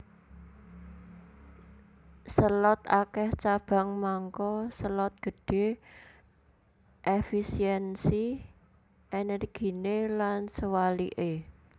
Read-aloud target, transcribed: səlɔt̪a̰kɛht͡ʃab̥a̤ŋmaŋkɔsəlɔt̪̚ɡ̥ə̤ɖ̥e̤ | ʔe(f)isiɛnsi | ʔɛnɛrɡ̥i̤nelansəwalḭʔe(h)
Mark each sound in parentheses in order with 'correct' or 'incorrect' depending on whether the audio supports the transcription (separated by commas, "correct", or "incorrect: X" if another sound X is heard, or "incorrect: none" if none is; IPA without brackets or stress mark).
correct, incorrect: none